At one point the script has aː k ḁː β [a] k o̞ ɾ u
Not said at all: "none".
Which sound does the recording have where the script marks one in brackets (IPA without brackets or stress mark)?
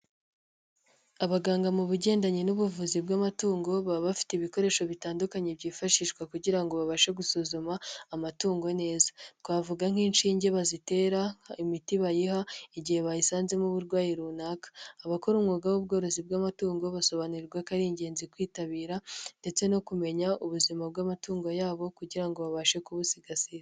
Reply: a